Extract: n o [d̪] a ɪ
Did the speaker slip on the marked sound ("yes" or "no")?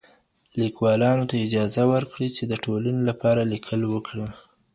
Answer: yes